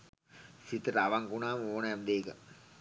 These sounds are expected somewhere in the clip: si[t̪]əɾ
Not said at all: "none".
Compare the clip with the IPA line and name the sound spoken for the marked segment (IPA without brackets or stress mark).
t̪